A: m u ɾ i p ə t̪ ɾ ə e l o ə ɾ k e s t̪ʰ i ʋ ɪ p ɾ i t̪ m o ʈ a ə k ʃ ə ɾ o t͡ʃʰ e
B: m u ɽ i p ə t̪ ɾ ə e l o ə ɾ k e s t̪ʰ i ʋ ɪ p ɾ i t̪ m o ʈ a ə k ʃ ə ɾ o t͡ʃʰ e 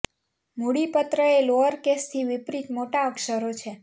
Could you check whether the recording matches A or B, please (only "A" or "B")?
B